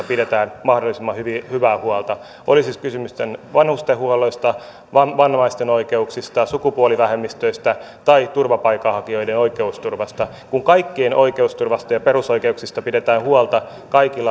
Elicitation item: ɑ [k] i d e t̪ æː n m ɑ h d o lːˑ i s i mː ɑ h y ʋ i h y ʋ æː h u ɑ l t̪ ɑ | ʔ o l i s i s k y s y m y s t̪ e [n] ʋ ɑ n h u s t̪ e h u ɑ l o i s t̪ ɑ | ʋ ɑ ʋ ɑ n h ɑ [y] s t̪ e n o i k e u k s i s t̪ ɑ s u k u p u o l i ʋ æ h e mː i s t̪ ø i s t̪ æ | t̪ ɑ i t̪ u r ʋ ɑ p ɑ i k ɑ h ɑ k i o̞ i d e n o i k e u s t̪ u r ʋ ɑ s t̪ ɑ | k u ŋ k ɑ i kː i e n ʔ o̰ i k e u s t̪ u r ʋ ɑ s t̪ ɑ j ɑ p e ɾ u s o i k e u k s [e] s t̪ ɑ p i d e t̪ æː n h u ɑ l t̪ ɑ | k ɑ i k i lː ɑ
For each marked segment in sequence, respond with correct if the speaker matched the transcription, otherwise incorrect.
incorrect: p, correct, incorrect: i, incorrect: i

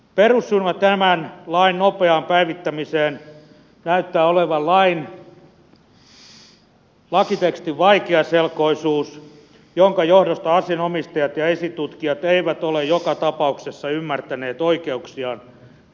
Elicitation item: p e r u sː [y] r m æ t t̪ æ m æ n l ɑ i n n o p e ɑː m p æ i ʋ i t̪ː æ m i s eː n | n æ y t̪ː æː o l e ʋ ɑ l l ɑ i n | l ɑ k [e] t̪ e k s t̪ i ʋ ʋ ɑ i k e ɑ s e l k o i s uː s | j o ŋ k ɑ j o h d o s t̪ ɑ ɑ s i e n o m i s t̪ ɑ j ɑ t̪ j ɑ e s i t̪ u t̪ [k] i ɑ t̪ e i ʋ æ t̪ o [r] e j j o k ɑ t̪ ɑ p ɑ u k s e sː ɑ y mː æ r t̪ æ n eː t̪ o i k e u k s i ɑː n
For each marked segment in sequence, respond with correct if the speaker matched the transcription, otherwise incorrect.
correct, incorrect: i, correct, incorrect: l

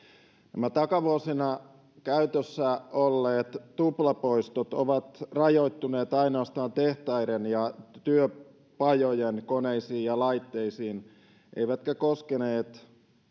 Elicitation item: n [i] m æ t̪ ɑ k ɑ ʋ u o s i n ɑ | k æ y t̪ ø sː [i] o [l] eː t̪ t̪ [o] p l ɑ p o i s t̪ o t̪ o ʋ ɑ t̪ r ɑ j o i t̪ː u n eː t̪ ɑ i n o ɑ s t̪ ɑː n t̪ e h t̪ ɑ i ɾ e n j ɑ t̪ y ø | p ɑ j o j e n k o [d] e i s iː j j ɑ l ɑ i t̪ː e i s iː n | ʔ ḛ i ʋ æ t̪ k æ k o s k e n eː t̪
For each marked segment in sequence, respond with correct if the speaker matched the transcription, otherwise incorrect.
incorrect: æ, incorrect: æ, incorrect: lː, incorrect: u, incorrect: n

